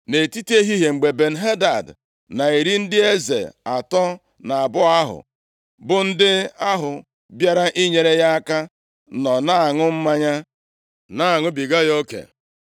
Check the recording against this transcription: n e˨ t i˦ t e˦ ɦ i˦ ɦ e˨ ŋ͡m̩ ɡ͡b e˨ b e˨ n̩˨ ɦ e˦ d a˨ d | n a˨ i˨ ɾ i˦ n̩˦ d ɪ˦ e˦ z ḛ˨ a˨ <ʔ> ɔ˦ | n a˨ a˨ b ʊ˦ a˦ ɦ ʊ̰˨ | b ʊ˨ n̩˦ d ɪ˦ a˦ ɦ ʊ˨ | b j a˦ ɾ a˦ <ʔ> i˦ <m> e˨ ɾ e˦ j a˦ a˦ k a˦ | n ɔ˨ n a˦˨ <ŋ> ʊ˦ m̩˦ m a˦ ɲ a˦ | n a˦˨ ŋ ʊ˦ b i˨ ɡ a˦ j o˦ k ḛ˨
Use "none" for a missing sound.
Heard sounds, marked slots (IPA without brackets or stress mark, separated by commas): t, ʔ, ɲ, ŋ